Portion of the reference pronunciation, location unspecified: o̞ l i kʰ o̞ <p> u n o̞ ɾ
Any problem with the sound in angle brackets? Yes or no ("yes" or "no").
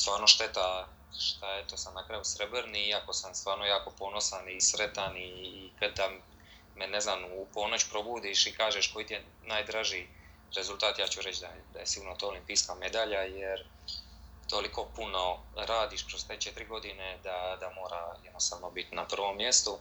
no